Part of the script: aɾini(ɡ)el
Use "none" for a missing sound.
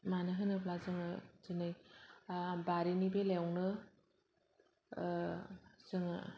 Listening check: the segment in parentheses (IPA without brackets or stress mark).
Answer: b